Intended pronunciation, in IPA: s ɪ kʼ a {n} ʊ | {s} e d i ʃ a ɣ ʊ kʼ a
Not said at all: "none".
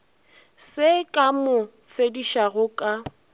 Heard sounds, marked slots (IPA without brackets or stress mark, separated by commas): m, f